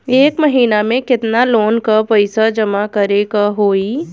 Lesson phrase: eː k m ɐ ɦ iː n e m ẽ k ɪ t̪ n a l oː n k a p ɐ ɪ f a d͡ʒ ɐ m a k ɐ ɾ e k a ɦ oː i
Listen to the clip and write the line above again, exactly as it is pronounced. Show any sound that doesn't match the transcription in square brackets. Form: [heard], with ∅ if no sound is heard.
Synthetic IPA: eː k m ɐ ɦ iː n [a] m ẽ k ɪ t̪ n a l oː n k a p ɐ ɪ [s] a d͡ʒ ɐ m a k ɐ ɾ e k a ɦ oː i